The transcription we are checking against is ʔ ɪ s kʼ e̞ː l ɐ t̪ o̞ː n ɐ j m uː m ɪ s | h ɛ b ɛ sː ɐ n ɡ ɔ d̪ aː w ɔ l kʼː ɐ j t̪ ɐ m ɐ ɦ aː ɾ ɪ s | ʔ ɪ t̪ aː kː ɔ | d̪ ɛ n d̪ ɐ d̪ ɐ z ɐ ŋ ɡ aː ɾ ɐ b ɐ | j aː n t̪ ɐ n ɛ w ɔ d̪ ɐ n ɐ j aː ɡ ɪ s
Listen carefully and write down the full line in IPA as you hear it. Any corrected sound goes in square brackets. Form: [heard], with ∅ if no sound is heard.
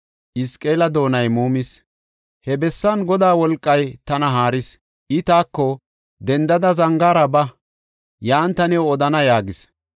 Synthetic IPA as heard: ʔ ɪ s kʼ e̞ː l ɐ [d̪] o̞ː n ɐ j m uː m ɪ s | h ɛ b ɛ sː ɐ n ɡ ɔ d̪ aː w ɔ l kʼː ɐ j t̪ ɐ [n] ɐ ɦ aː ɾ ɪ s | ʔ ɪ t̪ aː kː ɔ | d̪ ɛ n d̪ ɐ d̪ ɐ z ɐ ŋ ɡ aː ɾ ɐ b ɐ | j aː n t̪ ɐ n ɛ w ɔ d̪ ɐ n ɐ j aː ɡ ɪ s